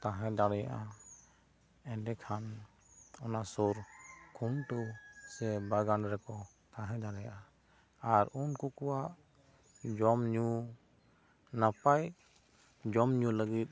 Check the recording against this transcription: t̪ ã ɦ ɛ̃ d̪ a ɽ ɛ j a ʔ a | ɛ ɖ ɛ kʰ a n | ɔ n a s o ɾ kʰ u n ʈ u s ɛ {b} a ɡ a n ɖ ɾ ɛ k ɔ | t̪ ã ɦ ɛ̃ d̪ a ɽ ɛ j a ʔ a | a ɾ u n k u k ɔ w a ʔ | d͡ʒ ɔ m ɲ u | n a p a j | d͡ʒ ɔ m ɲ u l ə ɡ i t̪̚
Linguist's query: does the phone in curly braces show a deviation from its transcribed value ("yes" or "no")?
no